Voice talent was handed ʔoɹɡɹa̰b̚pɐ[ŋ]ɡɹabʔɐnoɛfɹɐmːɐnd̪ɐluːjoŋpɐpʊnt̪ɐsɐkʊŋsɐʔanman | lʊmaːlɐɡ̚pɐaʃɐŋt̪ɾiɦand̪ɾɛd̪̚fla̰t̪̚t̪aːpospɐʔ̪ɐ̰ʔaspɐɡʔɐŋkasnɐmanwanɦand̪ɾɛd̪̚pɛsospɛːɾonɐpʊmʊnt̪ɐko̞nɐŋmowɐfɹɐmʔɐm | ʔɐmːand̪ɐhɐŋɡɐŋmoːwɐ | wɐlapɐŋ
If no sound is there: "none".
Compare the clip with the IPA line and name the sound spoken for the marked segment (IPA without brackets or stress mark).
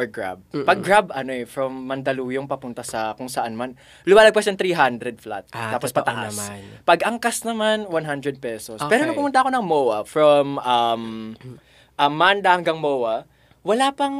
ɡ